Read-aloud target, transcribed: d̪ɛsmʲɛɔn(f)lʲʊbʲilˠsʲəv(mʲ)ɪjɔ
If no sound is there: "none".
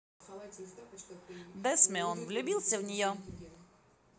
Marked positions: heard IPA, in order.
v, nʲ

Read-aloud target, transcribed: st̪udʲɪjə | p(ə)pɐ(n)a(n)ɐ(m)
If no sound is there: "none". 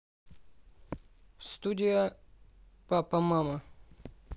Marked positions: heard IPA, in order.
a, m, m, none

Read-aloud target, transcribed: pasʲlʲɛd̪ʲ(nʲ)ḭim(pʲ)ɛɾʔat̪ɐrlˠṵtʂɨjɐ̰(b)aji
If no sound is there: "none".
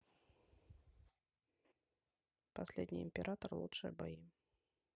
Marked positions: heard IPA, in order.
nʲ, pʲ, b

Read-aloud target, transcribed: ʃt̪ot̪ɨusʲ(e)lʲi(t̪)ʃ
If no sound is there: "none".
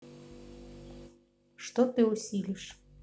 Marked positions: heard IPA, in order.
i, none

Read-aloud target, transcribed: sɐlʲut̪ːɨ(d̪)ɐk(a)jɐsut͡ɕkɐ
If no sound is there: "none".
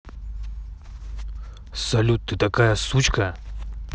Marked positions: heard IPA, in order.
t̪, a

